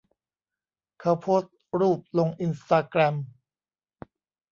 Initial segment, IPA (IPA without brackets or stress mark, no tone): kʰ